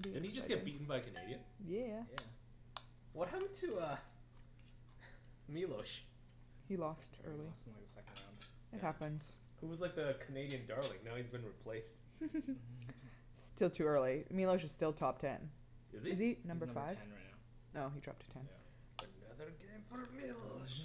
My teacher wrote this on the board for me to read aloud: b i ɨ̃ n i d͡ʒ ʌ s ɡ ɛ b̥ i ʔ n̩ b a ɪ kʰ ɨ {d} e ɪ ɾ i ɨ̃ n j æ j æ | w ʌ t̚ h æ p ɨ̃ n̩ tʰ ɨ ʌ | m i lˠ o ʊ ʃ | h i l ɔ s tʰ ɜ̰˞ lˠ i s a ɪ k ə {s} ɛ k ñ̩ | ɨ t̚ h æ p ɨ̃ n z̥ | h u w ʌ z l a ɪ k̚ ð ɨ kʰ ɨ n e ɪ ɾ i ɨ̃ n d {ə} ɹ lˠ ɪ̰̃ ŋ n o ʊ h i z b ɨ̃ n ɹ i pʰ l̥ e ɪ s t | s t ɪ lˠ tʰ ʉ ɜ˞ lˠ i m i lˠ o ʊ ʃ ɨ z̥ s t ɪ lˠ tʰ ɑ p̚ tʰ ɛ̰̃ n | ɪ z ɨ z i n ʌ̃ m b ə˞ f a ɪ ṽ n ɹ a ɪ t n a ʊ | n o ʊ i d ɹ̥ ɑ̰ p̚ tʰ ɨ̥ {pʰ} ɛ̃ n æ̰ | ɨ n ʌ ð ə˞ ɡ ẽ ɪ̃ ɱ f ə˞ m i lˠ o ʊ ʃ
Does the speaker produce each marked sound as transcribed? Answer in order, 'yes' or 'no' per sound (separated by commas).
no, yes, no, no